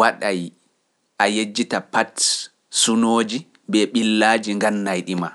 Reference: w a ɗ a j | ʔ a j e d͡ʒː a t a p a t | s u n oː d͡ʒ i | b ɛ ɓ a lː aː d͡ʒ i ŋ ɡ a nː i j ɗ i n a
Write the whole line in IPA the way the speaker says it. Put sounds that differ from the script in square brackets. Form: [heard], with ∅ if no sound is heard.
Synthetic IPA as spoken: w a ɗ a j | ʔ a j e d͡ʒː [i] t a p a t | s u n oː d͡ʒ i | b ɛ ɓ [i] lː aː d͡ʒ i ŋ ɡ a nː [a] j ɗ i [m] a